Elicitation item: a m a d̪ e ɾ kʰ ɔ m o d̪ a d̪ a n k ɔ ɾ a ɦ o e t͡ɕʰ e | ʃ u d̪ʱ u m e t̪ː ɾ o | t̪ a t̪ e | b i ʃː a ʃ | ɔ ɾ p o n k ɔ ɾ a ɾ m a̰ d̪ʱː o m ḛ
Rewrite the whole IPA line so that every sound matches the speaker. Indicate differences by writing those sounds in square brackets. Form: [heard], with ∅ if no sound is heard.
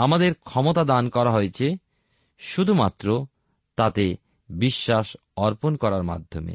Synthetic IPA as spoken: a m a d̪ e ɾ kʰ ɔ m o [t̪] a d̪ a n k ɔ ɾ a ɦ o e t͡ɕʰ e | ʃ u d̪ʱ u m [a] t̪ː ɾ o | t̪ a t̪ e | b i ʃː a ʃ | ɔ ɾ p o n k ɔ ɾ a ɾ m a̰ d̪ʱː o m ḛ